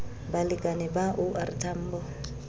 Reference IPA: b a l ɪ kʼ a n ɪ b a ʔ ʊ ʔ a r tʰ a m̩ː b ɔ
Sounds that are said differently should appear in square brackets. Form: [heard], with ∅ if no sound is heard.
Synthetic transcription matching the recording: b a l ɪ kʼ a n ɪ b a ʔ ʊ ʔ a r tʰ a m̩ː b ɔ